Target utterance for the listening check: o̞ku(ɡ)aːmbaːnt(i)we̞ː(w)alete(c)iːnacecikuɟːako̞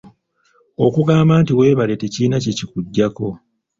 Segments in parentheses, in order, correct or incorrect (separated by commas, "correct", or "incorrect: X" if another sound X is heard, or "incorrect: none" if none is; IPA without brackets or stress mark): correct, correct, incorrect: β, correct